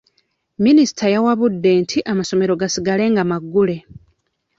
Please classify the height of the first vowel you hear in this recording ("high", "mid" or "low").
high